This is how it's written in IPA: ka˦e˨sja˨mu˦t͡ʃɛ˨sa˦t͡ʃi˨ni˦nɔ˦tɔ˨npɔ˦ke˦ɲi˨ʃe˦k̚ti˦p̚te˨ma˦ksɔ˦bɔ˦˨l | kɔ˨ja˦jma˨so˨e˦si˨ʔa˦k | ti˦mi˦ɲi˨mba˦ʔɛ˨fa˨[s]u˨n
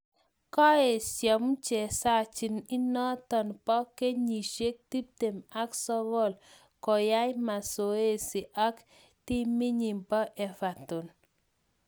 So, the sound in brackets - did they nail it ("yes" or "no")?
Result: no